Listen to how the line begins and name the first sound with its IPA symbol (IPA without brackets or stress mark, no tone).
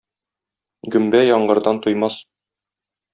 ɡ